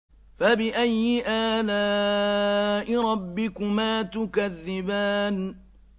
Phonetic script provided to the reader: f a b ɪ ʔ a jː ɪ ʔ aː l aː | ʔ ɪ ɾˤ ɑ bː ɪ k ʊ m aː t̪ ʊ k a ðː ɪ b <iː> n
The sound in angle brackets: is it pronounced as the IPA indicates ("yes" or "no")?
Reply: no